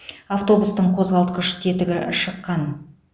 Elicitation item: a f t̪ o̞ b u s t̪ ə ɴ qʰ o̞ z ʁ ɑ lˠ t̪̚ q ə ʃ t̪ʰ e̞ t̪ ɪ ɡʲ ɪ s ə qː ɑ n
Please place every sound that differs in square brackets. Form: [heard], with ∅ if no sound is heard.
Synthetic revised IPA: a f t̪ o̞ b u s t̪ ə ɴ qʰ o̞ z ʁ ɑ lˠ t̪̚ q ə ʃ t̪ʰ e̞ t̪ ɪ ɡʲ ɪ [ʃ] ə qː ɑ n